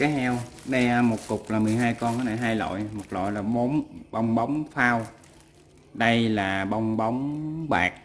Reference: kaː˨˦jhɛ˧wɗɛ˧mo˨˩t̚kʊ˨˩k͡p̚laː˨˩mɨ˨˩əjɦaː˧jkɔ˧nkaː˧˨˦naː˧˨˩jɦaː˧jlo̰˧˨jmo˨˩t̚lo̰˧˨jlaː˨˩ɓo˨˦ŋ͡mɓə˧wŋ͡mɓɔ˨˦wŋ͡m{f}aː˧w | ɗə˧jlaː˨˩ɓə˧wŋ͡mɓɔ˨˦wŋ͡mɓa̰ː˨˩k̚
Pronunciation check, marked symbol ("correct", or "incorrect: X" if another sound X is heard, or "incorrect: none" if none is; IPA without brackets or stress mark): correct